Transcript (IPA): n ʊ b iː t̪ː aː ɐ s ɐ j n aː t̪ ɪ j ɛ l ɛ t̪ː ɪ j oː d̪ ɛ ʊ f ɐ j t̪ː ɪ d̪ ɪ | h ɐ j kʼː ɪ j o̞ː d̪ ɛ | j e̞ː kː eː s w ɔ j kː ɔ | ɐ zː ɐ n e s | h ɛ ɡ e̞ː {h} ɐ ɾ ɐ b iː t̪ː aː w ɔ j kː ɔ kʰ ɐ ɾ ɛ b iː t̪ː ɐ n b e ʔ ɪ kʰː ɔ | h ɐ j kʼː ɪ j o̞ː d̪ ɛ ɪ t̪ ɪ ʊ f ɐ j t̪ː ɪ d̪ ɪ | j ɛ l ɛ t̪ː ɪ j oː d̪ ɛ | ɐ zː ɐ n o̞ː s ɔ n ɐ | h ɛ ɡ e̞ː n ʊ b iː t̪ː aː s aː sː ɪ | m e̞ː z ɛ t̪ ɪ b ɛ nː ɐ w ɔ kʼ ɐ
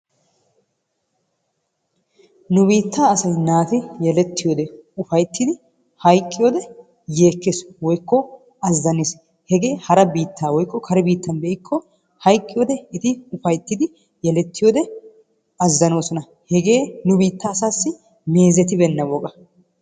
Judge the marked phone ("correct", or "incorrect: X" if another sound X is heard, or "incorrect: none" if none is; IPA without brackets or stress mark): correct